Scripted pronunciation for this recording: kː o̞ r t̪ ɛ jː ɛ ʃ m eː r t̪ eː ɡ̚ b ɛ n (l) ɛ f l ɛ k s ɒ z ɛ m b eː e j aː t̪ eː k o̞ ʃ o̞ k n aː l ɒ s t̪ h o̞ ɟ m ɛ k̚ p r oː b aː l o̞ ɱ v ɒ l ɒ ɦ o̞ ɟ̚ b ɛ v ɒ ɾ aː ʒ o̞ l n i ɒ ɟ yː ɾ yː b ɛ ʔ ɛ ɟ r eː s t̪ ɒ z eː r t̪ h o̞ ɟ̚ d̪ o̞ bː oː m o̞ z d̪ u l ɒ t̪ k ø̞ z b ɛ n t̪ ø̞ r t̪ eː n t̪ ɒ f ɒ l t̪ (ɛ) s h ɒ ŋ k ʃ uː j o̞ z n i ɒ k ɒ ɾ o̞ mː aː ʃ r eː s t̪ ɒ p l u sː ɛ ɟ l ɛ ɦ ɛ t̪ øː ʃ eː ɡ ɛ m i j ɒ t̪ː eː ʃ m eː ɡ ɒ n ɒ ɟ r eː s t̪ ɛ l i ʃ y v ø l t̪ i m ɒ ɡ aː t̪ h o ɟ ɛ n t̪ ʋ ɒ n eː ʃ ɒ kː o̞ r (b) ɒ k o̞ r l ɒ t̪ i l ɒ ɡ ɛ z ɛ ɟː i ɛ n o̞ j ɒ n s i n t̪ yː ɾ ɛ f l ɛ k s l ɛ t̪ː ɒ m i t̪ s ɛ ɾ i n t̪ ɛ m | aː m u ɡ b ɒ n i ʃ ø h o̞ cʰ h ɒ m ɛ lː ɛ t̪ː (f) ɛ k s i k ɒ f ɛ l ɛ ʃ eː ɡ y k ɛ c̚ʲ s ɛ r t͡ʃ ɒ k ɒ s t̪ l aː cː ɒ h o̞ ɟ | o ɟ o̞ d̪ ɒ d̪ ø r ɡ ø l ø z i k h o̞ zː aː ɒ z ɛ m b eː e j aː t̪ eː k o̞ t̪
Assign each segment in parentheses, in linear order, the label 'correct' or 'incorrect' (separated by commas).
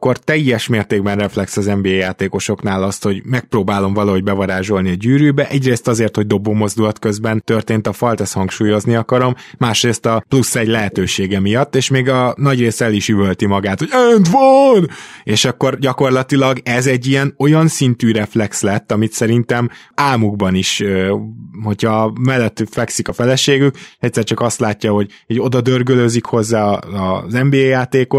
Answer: incorrect, correct, incorrect, correct